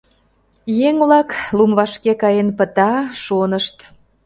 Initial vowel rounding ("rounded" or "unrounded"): unrounded